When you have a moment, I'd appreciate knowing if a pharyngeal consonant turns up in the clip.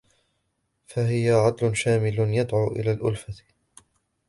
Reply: yes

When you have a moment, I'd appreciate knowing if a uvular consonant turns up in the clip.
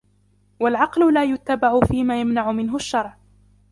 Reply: yes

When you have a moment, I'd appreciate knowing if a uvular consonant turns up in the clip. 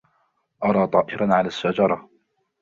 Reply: no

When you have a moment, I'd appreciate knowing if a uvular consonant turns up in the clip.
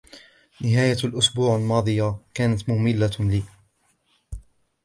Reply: no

